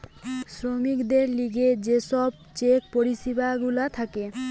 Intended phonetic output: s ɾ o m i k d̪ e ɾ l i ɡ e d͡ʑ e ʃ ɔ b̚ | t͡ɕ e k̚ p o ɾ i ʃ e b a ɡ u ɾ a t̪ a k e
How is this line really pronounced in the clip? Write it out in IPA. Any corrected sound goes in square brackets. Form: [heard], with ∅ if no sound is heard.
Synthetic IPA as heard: s ɾ o m i k d̪ e ɾ l i ɡ e d͡ʑ e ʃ ɔ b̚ | t͡ɕ e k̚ p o ɾ i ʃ [i] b a ɡ u [l] a [t̪ʰ] a k e